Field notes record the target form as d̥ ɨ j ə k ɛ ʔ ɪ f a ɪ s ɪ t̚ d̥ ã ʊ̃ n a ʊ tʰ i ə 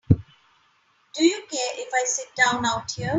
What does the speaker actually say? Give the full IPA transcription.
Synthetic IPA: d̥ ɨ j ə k ɛ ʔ ɪ f a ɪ s ɪ t̚ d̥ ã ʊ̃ n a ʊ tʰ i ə